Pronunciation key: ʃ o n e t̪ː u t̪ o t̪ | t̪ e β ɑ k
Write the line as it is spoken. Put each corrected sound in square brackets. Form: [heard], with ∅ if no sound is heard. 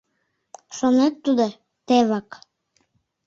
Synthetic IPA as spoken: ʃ o n e t̪ː u [d̪] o [∅] | t̪ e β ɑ k